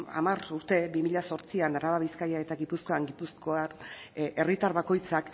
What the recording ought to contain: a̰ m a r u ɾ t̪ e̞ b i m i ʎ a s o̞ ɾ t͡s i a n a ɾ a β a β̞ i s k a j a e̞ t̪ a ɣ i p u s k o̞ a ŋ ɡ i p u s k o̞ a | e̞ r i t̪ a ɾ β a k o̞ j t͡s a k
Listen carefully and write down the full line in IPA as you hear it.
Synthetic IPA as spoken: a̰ m a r u ɾ t̪ e̞ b i m i ʎ a s o̞ ɾ t͡s i a n a ɾ a β a β̞ i s k a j a e̞ t̪ a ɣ i p u s k o̞ a ŋ ɡ i p u s k o̞ a | e̞ r i t̪ a ɾ β a k o̞ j t͡s a k